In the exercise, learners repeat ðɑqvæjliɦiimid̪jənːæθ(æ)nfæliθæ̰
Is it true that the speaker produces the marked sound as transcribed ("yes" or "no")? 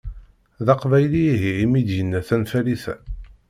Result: yes